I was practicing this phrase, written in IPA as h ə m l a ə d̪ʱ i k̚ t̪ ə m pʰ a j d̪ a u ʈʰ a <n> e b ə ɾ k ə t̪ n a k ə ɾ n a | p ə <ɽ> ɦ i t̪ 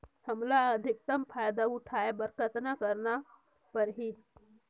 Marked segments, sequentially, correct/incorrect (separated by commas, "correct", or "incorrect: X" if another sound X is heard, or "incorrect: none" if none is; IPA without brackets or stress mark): incorrect: none, incorrect: ɾ